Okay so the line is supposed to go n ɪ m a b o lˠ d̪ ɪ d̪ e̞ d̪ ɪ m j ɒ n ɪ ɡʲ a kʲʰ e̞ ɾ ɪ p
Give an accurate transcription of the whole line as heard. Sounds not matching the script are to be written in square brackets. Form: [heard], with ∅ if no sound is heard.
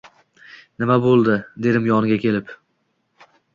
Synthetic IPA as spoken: n ɪ m a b o lˠ d̪ ɪ d̪ e̞ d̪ ɪ m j ɒ n ɪ ɡʲ a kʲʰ e̞ [l] ɪ p